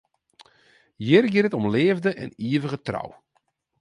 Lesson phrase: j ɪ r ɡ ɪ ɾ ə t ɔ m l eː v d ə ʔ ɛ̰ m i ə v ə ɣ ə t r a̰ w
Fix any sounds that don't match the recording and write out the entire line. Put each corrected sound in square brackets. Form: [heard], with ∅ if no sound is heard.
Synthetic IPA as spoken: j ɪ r ɡ ɪ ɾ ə t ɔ m l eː v d ə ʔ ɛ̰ [n] i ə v ə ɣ ə t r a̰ w

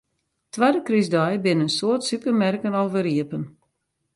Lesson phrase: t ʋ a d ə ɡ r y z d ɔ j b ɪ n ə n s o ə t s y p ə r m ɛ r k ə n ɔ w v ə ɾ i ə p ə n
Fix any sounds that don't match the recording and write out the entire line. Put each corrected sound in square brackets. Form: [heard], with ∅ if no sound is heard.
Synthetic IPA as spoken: t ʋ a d ə [k] r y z d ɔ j b ɪ n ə n s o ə t s y p ə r m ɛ r k ə n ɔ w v ə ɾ i ə p ə n

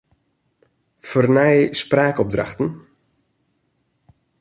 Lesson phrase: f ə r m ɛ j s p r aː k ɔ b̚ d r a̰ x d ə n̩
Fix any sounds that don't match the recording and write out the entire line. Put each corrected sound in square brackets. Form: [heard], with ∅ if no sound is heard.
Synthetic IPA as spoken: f ə r [n] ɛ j s p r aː k ɔ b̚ d r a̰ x [t] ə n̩

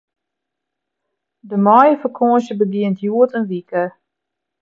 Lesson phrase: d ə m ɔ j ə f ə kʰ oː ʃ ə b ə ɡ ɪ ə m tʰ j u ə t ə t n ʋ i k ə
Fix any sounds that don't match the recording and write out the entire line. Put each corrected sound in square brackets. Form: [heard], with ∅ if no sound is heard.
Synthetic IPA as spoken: d ə m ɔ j ə f ə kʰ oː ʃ ə b ə ɡ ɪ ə [n] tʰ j u ə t ə [∅] n ʋ i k ə

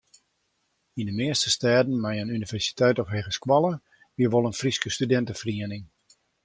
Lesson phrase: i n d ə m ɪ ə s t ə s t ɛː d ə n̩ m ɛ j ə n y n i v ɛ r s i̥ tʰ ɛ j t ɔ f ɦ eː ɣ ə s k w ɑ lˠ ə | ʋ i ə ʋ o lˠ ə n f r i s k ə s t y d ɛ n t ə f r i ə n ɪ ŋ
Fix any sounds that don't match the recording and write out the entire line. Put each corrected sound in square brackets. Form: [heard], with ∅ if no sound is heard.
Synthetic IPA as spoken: i n d ə m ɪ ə s t ə s t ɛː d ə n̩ m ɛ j ə n y n i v ɛ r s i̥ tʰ ɛ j t ɔ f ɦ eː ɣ ə s k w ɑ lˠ ə | ʋ i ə ʋ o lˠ ə n f r i s k ə s t y d ɛ n t ə f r i ə n ɪ ŋ

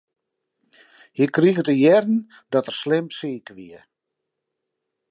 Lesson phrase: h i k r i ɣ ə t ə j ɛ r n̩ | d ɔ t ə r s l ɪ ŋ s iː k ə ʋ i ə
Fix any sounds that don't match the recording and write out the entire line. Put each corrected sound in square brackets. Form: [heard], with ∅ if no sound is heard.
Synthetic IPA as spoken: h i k r i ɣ ə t ə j ɛ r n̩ | d ɔ t ə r s l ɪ [m] s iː k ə ʋ i ə

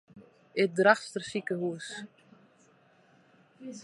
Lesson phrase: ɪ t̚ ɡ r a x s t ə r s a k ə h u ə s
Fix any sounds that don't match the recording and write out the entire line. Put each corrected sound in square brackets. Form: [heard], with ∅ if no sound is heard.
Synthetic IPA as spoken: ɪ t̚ [d] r a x s t ə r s [i] k ə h u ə s

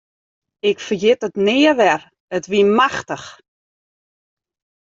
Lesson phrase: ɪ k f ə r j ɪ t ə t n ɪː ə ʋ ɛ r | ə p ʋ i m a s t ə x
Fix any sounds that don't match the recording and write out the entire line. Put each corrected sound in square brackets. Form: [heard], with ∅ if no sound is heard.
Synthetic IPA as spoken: ɪ k f ə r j ɪ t ə t n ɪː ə ʋ ɛ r | ə [t] ʋ i m a [x] t ə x

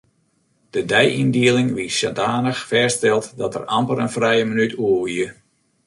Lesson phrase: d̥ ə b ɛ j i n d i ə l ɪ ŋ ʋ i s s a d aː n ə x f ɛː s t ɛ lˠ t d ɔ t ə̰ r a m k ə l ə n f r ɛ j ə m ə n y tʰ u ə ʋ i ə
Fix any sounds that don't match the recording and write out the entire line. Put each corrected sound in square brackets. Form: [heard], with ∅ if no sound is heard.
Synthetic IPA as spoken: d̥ ə [d] ɛ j i n d i ə l ɪ ŋ ʋ i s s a d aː n ə x f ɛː s t ɛ lˠ t d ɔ t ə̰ r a m [p] ə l ə n f r ɛ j ə m ə n y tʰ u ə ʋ i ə

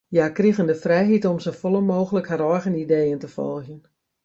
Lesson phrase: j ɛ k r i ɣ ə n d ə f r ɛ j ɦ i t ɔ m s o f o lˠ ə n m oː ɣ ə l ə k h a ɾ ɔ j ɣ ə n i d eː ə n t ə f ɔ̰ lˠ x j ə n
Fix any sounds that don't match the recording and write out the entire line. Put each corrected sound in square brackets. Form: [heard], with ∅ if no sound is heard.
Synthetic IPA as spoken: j [a] k r i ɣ ə n d ə f r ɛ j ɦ i t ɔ m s o f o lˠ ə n m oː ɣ ə l ə k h a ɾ ɔ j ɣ ə n i d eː ə n t ə f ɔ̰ lˠ x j ə n

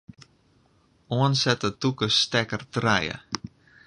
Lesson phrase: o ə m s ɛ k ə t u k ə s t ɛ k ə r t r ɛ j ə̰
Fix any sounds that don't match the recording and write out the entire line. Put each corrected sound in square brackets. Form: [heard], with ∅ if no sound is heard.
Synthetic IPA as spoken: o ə [n] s ɛ [t] ə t u k ə s t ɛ k ə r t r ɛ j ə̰

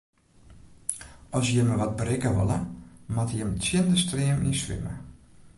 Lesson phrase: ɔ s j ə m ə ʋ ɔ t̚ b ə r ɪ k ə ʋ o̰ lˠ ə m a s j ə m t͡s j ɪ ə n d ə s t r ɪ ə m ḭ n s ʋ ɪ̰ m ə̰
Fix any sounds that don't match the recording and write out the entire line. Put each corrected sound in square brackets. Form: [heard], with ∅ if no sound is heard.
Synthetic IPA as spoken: ɔ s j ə m ə ʋ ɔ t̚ b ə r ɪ k ə ʋ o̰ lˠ ə m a [t] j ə m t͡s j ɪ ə n d ə s t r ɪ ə m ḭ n s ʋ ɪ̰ m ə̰

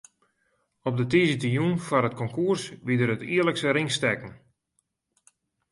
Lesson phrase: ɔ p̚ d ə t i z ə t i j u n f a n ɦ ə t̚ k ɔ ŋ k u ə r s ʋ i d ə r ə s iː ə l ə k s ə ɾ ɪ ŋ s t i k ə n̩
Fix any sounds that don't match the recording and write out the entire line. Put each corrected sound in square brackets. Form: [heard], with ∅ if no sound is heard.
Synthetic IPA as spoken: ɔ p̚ d ə t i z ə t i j u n f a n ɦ ə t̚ k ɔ ŋ k u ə r s ʋ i d ə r ə [t] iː ə l ə k s ə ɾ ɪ ŋ s t [ɛ] k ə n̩

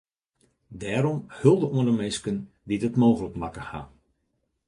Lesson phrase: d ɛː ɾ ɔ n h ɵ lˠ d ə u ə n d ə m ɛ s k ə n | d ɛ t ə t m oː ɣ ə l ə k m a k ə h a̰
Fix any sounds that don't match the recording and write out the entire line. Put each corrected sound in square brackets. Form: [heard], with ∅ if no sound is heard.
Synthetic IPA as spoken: d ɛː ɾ ɔ [m] h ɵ lˠ d ə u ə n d ə m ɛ s k ə n | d [i] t ə t m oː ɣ ə l ə k m a k ə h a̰

